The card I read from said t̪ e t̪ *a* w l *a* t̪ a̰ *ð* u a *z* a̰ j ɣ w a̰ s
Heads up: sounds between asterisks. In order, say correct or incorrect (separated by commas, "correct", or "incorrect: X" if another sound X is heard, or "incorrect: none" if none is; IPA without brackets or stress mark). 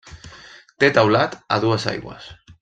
correct, correct, correct, incorrect: s